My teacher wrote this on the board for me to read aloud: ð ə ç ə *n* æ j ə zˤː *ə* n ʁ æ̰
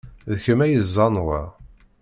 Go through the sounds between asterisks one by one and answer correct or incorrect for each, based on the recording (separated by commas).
incorrect, incorrect